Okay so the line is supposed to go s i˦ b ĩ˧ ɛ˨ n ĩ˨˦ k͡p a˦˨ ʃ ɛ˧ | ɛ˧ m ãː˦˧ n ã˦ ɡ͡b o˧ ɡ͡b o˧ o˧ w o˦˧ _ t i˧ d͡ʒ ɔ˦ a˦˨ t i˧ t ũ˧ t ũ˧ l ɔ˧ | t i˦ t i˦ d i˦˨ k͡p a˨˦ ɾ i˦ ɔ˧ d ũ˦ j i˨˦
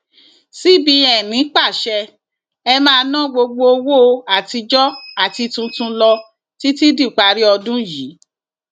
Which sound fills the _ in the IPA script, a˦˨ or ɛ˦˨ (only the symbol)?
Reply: a˦˨